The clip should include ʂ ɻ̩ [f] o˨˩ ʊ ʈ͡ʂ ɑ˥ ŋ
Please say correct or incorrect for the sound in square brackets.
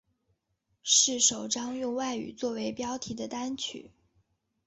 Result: incorrect